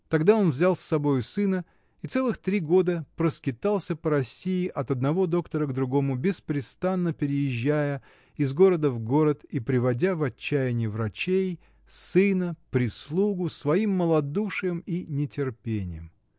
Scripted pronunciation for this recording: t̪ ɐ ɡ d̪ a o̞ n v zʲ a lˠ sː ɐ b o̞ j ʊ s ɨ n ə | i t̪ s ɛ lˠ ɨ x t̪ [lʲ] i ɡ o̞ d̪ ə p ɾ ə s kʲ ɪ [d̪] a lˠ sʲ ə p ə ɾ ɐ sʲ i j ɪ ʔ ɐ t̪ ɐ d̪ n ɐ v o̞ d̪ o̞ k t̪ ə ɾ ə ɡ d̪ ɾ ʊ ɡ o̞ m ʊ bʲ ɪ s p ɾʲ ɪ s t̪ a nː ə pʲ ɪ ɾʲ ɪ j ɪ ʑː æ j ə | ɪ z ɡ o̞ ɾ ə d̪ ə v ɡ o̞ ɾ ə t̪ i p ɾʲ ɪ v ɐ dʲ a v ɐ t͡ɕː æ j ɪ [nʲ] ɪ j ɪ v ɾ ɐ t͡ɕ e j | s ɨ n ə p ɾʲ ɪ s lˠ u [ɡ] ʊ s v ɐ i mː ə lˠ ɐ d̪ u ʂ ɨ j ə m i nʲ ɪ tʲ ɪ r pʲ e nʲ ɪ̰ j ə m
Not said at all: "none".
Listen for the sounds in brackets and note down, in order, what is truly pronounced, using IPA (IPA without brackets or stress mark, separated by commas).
ɾʲ, t̪, nʲ, ɡ